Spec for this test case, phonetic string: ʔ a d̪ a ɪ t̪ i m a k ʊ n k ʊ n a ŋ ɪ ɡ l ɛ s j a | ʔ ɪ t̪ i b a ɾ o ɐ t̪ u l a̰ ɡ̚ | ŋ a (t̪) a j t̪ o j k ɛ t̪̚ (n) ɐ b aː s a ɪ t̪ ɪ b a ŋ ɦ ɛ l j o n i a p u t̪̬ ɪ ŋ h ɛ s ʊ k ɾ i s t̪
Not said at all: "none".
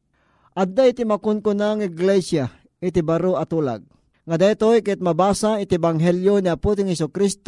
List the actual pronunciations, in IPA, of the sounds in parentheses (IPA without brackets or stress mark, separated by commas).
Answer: d̪, m